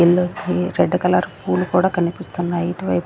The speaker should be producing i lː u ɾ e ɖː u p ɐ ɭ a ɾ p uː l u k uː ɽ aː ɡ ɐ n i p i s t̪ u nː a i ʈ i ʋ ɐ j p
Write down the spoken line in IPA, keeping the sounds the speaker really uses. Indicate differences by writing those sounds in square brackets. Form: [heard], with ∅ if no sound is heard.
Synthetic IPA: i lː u ɾ e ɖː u [k] ɐ [l] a ɾ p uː l u k uː ɽ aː [k] ɐ n i p i s t̪ u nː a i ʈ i ʋ ɐ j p